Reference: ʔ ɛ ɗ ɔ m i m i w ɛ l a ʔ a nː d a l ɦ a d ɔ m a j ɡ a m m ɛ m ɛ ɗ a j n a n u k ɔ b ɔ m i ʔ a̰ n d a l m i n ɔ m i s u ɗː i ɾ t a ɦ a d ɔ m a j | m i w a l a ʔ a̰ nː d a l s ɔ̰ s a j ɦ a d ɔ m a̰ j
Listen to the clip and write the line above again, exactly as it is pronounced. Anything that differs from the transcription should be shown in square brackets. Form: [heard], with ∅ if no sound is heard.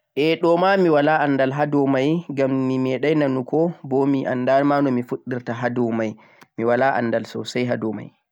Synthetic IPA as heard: ʔ ɛ ɗ ɔ m [a] m i w [a] l a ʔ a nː d a l ɦ a d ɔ m a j ɡ a m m [i] m ɛ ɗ a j n a n u k ɔ b ɔ m i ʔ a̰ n d a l m [a] n ɔ m i [f] u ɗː i ɾ t a ɦ a d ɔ m a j | m i w a l a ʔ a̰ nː d a l s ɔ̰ s a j ɦ a d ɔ m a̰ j